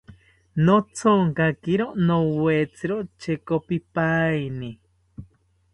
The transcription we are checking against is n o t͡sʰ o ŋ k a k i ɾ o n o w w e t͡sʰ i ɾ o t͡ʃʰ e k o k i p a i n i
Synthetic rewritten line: n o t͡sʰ o ŋ k a k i ɾ o n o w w e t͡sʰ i ɾ o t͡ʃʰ e k o p i p a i n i